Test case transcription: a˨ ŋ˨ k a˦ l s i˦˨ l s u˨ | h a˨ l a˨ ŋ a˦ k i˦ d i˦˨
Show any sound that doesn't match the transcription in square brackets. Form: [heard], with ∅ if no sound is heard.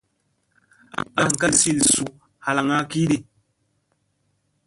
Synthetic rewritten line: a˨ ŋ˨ k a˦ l s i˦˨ l s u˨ | h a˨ l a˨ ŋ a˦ k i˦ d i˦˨